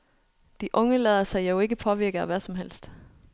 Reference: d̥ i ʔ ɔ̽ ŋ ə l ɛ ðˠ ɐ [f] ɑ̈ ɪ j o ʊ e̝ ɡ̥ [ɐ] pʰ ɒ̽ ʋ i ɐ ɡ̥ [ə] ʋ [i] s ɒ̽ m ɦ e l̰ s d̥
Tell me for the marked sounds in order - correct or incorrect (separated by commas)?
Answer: incorrect, incorrect, incorrect, incorrect